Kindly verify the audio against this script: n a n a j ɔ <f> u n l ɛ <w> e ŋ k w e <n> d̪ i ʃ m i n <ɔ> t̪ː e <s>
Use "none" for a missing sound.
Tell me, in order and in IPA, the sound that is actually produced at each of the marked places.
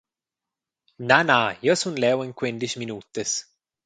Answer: s, w, n, u, s

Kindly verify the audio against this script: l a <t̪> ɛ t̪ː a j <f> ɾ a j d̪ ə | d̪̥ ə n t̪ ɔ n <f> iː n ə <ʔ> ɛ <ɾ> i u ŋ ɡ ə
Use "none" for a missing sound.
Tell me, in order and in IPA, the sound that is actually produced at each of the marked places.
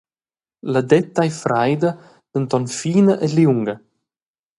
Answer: d̪, f, f, ʔ, l

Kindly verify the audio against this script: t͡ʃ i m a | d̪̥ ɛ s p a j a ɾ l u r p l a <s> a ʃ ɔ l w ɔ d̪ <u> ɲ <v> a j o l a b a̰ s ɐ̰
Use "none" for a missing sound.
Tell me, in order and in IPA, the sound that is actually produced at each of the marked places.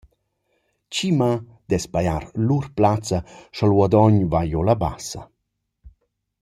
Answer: t͡s, ɔ, v

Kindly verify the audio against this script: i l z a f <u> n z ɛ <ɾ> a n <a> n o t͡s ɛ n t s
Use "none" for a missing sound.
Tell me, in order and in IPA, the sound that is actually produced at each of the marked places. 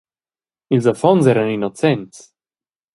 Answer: ɔ, ɾ, i

